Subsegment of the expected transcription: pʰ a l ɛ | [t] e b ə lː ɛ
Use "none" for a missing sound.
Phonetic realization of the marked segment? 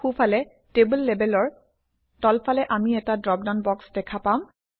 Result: t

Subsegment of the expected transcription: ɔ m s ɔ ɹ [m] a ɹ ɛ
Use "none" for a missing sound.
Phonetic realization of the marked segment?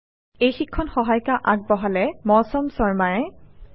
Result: m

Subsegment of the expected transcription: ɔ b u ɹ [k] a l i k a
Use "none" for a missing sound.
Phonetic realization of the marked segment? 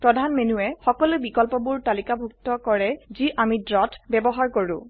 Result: t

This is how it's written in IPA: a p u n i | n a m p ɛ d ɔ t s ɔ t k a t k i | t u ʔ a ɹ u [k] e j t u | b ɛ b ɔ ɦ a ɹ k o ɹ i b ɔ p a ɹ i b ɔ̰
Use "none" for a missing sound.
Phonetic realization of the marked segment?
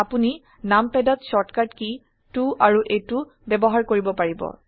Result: ʔ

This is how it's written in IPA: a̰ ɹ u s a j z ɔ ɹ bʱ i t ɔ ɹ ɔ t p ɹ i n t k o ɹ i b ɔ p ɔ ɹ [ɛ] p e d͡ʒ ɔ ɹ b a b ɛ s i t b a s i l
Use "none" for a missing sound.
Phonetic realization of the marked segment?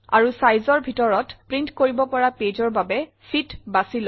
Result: a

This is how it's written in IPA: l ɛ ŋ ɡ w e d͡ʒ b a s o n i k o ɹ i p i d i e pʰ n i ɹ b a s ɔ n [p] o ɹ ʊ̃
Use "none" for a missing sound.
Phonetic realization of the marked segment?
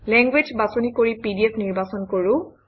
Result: k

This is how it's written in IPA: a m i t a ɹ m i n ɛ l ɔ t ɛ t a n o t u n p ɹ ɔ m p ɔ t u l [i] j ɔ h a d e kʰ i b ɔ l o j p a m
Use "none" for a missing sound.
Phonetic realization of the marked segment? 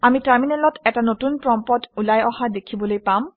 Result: a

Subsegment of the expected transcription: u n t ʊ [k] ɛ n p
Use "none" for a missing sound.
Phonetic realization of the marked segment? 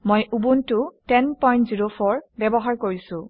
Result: t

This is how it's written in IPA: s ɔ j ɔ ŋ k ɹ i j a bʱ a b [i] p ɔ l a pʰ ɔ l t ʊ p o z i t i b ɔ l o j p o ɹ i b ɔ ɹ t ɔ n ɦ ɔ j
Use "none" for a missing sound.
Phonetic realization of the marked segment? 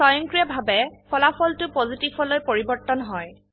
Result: ɛ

